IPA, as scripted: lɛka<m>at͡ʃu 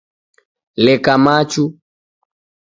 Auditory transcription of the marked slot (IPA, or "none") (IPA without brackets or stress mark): m